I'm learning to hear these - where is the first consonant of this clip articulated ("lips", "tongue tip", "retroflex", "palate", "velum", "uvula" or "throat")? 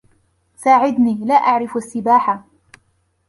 tongue tip